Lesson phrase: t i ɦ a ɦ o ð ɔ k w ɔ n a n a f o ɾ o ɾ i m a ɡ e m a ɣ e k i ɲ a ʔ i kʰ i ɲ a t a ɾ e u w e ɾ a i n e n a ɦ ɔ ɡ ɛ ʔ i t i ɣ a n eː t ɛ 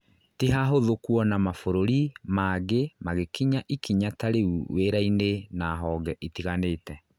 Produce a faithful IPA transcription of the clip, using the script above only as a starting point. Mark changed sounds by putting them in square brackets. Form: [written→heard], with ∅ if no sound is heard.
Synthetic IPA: t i ɦ a ɦ o ð [ɔ→o] k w ɔ n a [n→m] a f o ɾ o ɾ i m a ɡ e m a ɣ e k i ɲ a ʔ i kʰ i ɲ a t a ɾ e u w e ɾ a i n e n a ɦ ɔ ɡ ɛ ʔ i t i ɣ a n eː t ɛ